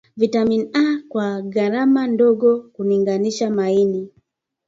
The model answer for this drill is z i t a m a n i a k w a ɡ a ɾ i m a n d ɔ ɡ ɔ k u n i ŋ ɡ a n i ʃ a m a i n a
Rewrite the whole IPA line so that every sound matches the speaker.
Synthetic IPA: v i t a m i n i a k w a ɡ a ɾ a m a n d ɔ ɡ ɔ k u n i ŋ ɡ a n i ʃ a m a i n i